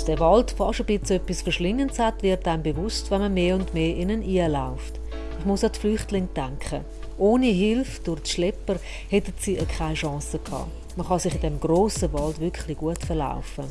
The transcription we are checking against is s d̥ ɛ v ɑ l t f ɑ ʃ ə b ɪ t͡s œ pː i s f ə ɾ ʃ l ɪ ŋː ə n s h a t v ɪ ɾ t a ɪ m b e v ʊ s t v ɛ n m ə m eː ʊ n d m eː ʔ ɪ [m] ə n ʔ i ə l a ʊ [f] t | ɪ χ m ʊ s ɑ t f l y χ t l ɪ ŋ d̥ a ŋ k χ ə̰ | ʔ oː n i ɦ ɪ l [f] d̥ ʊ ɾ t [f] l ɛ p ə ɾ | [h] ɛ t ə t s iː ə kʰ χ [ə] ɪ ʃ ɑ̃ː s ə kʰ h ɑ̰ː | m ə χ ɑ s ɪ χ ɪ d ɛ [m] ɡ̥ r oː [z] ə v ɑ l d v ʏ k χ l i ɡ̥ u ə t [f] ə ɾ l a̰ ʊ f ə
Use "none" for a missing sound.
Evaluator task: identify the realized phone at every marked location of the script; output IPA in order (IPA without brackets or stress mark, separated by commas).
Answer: n, f, f, ʃ, h, a, m, s, f